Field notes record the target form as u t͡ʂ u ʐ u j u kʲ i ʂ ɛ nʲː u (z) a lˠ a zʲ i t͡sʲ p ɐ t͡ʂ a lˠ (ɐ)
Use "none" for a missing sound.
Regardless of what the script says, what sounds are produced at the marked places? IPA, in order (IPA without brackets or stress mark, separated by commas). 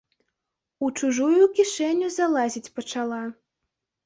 z, a